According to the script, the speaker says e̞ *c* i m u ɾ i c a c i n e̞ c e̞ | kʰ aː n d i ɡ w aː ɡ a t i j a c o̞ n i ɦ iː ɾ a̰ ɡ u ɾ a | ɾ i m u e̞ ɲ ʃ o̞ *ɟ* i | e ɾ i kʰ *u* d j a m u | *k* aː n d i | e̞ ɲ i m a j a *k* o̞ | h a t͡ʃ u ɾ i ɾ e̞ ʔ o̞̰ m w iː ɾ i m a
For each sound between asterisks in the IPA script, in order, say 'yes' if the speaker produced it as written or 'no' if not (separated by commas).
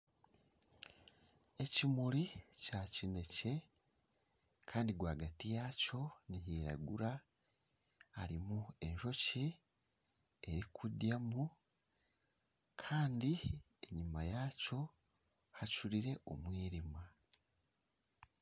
yes, no, yes, no, no